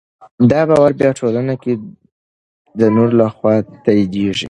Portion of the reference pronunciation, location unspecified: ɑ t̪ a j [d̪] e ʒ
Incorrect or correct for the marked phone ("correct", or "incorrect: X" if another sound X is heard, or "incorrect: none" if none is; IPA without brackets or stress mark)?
correct